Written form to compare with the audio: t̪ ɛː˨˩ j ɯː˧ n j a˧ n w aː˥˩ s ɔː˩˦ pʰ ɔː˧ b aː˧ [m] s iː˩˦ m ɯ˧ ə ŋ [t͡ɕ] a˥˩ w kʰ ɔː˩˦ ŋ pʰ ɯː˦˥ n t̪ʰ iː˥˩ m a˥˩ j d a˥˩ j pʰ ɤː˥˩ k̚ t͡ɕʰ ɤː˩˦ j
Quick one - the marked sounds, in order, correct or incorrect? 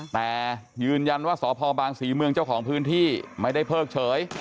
incorrect, correct

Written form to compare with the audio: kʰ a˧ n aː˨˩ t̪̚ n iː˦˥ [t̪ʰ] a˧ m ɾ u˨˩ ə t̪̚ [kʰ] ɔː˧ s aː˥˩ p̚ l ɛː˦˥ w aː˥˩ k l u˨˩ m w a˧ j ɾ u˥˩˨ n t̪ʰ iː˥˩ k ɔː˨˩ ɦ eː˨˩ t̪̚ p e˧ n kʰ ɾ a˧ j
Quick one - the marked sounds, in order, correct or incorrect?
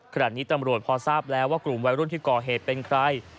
incorrect, incorrect

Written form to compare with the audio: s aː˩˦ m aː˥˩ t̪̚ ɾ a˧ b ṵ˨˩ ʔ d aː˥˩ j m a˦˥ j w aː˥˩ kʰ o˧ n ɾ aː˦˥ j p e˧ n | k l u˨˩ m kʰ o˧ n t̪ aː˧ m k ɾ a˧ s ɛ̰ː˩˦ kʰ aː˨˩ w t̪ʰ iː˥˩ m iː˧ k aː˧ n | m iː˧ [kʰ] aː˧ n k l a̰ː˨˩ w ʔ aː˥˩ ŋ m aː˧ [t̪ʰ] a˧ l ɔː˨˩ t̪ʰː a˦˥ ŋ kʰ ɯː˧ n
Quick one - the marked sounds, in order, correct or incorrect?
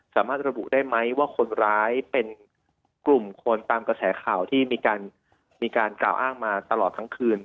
incorrect, incorrect

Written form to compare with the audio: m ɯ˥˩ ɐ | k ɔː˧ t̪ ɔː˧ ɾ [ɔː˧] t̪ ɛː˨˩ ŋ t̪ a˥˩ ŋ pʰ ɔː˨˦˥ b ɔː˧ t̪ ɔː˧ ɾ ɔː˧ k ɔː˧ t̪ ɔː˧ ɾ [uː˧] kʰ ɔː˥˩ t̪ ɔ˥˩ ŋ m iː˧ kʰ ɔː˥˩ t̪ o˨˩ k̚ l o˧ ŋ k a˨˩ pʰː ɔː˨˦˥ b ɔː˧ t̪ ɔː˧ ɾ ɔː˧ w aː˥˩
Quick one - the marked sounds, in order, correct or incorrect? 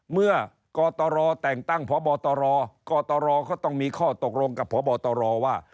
correct, incorrect

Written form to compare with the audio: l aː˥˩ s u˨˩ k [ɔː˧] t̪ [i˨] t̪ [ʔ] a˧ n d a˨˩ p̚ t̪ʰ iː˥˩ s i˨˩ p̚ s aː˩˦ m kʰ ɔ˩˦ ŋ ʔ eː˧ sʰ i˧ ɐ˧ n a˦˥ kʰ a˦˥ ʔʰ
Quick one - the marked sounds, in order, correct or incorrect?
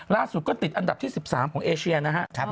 incorrect, correct, correct

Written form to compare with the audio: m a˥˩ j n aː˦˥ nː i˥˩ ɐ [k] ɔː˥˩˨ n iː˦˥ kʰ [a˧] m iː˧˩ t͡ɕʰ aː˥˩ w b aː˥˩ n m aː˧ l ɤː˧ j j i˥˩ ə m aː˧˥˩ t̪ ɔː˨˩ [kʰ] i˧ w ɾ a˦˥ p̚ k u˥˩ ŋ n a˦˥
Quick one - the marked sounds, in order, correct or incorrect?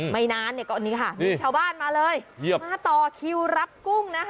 correct, incorrect, correct

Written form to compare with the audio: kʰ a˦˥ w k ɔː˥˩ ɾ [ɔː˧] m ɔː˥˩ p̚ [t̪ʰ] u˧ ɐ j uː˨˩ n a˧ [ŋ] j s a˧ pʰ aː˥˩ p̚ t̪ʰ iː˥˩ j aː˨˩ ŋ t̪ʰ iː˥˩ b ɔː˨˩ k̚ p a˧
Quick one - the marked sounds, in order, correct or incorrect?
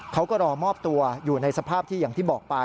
correct, incorrect, incorrect

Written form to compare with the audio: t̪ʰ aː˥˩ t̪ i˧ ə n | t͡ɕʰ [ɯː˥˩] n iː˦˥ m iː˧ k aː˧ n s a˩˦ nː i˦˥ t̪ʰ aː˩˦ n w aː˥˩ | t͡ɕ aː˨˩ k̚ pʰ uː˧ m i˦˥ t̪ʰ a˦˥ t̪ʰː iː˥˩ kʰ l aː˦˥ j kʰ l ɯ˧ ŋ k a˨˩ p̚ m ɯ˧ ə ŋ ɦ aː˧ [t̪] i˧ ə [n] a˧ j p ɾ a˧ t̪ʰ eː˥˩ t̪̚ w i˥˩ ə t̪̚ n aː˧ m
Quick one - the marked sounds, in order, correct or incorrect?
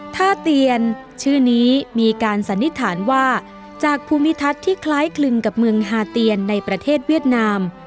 correct, correct, incorrect

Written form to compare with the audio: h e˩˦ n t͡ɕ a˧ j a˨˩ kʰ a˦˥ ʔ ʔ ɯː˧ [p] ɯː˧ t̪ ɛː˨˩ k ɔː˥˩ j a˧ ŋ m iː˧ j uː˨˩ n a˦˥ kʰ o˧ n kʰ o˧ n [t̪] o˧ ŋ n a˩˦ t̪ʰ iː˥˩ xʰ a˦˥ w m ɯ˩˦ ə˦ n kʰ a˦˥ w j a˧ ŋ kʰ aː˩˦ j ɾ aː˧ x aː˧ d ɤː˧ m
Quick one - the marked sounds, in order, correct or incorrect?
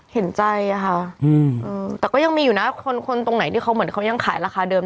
incorrect, correct

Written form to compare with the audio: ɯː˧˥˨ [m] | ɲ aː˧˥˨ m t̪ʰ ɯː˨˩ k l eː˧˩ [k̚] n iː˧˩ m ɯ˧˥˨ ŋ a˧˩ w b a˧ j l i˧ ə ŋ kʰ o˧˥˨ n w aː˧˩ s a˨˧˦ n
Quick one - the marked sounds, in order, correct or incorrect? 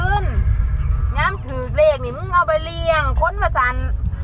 incorrect, correct

